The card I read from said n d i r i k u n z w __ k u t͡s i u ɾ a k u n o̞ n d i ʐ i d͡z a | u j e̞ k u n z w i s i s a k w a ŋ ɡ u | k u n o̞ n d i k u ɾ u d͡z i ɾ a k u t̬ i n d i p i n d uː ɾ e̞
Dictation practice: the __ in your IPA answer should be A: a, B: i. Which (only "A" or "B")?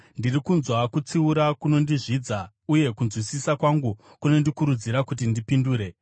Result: A